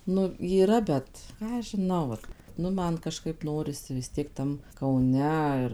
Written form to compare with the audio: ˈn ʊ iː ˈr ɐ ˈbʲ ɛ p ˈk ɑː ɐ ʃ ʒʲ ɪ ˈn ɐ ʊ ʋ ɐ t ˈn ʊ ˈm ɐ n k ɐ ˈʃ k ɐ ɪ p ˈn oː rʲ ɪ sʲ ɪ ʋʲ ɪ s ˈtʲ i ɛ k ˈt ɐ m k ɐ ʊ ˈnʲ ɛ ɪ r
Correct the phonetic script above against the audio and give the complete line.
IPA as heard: ˈn ʊ iː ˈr ɐ ˈbʲ ɛ t ˈk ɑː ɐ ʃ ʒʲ ɪ ˈn ɐ ʊ ʋ ɐ t ˈn ʊ ˈm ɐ n k ɐ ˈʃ k ɐ ɪ p ˈn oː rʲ ɪ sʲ ɪ ʋʲ ɪ s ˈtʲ i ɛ k ˈt ɐ m k ɐ ʊ ˈnʲ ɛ ɪ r